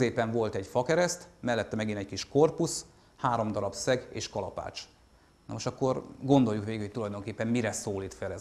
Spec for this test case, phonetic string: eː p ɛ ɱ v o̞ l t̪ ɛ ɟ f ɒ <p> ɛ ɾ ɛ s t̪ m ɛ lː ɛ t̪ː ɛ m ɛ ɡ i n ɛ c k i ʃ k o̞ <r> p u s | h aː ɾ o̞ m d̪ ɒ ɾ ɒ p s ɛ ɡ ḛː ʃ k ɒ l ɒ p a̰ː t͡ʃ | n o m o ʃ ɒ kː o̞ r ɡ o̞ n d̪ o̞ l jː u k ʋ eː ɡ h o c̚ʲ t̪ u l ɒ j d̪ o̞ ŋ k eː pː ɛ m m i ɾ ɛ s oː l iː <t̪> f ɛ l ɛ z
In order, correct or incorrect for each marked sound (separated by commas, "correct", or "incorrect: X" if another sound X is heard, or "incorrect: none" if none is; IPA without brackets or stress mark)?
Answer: incorrect: k, correct, correct